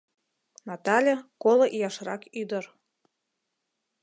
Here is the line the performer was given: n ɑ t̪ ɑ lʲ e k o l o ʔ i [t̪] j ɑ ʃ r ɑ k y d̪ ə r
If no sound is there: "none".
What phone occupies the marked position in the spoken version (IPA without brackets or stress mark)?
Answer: none